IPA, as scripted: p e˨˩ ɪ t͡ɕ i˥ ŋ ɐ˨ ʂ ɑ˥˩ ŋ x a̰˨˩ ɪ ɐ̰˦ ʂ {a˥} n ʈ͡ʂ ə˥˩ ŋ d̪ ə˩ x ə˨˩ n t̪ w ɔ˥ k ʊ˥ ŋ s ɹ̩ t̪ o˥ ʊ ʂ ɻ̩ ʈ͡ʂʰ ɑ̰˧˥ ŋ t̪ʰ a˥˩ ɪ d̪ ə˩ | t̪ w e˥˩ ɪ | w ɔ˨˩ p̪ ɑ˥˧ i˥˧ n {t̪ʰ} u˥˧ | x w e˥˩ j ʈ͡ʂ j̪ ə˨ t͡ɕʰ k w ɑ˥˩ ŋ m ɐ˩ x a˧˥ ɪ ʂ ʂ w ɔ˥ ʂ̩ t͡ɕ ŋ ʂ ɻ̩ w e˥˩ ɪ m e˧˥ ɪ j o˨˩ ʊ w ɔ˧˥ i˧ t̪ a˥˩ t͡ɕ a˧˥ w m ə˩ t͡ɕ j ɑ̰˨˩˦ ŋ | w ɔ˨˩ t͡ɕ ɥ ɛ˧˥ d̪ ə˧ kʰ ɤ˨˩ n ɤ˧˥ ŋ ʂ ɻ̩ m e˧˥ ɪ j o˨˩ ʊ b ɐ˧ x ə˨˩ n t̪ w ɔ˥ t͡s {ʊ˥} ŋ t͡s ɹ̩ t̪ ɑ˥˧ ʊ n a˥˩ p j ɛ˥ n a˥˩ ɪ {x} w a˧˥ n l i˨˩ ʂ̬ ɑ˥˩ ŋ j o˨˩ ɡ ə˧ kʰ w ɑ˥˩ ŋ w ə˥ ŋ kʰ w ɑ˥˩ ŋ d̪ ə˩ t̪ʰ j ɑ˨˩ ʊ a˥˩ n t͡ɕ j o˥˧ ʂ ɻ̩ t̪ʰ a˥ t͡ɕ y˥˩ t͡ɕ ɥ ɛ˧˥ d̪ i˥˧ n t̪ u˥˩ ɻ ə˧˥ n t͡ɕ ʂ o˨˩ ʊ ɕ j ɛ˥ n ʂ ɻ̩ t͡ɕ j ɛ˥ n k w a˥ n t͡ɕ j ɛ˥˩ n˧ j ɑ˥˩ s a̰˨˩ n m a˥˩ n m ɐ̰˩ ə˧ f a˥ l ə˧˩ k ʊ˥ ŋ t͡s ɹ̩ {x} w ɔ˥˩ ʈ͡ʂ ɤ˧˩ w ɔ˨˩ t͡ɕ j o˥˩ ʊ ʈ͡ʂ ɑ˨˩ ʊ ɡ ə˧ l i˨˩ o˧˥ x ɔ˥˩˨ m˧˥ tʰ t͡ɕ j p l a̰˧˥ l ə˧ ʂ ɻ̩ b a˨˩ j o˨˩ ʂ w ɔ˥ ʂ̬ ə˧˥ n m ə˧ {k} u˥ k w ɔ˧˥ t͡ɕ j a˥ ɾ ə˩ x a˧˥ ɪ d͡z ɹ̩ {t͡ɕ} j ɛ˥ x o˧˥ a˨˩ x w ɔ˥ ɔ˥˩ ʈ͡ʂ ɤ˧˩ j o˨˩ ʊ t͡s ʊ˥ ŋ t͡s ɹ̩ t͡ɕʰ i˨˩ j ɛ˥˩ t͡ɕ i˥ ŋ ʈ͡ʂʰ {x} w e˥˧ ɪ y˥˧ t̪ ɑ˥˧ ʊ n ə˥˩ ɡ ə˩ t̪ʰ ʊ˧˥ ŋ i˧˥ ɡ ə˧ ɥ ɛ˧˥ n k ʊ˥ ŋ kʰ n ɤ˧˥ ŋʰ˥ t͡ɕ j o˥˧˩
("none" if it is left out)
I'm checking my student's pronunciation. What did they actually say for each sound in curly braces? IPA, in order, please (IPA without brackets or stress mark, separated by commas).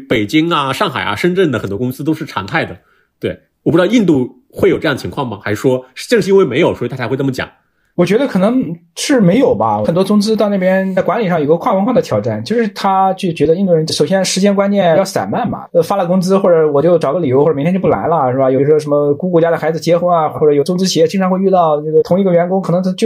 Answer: ə˥, t̪, ʊ˥, k, x, k, t͡ɕ, x